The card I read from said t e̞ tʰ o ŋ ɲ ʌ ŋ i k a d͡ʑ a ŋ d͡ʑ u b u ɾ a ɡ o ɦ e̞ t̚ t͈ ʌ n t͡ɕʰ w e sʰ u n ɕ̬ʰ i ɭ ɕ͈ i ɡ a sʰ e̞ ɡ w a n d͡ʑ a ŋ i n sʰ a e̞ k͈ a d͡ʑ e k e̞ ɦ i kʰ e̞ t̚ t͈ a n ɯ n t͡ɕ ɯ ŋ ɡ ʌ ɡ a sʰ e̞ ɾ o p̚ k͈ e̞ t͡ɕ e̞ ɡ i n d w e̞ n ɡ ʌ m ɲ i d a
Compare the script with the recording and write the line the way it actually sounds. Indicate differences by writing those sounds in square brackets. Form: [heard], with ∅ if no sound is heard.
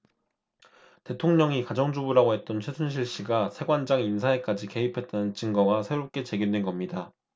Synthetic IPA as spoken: t e̞ tʰ o ŋ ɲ ʌ ŋ i k a d͡ʑ [ʌ] ŋ d͡ʑ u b u ɾ a ɡ o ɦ e̞ t̚ t͈ ʌ n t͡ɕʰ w e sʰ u n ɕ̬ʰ i ɭ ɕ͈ i ɡ a sʰ e̞ ɡ w a n d͡ʑ a ŋ i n sʰ a e̞ k͈ a d͡ʑ [i] k e̞ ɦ i [pʰ] e̞ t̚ t͈ a n ɯ n t͡ɕ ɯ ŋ ɡ ʌ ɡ a sʰ e̞ ɾ o p̚ k͈ e̞ t͡ɕ e̞ ɡ i n d w e̞ n ɡ ʌ m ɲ i d a